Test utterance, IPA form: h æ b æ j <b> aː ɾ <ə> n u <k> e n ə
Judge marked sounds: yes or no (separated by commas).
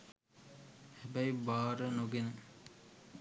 yes, yes, no